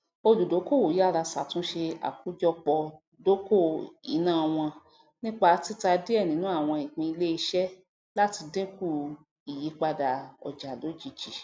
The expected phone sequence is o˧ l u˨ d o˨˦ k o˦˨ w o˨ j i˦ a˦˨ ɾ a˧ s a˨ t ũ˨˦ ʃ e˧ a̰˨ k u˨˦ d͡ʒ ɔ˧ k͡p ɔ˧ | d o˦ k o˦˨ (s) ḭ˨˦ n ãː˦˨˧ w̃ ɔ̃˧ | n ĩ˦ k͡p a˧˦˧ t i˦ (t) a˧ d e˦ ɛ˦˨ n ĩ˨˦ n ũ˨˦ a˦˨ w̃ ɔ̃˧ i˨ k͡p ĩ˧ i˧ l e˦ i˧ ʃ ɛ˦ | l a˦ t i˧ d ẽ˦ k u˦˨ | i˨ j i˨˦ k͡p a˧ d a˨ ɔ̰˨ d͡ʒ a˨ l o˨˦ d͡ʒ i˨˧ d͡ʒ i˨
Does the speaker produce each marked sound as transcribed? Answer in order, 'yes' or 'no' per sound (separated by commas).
no, yes